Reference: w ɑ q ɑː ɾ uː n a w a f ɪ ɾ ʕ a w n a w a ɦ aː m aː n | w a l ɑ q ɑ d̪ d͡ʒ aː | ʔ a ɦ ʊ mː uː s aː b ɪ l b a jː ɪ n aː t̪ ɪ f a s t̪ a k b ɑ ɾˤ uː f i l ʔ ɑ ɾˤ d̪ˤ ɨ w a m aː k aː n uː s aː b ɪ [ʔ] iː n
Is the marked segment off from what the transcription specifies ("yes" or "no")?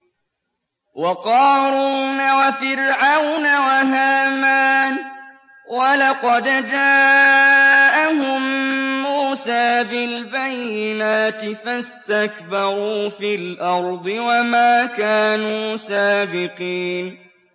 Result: yes